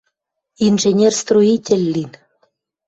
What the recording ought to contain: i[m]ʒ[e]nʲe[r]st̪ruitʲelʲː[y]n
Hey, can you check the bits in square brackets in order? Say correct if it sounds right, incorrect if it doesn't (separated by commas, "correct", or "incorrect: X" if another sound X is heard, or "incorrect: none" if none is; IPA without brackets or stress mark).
incorrect: n, correct, correct, incorrect: i